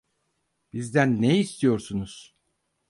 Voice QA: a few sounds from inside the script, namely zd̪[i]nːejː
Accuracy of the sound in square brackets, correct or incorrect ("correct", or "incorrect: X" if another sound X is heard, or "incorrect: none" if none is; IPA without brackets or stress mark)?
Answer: incorrect: æ